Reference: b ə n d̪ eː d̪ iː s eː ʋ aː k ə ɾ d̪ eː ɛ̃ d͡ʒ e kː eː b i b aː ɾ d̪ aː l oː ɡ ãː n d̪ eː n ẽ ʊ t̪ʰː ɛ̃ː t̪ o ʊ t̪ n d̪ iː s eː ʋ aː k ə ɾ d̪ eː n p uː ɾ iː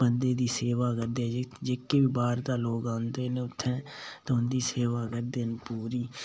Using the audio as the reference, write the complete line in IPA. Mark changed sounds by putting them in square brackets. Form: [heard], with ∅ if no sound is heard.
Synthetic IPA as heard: b ə n d̪ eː d̪ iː s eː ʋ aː k ə ɾ d̪ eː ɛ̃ d͡ʒ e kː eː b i b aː ɾ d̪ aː l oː ɡ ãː n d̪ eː n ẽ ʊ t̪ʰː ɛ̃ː t̪ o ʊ [∅] n d̪ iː s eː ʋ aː k ə ɾ d̪ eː n p uː ɾ iː